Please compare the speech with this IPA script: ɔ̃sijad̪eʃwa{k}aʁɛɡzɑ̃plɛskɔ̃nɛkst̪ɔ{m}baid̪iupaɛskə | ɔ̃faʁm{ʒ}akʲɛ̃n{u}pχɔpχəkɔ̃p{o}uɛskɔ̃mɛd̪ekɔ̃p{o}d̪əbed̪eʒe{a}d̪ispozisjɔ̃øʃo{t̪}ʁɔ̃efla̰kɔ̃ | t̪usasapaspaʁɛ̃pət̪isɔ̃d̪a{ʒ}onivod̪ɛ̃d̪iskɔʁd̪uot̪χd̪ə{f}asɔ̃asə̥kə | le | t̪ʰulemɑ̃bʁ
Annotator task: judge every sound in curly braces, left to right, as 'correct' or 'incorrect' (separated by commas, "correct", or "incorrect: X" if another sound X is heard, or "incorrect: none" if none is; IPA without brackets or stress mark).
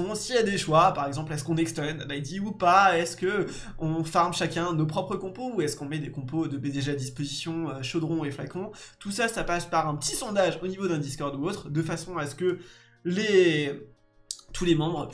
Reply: incorrect: p, incorrect: n, incorrect: ʃ, incorrect: o, correct, correct, correct, incorrect: d̪, correct, correct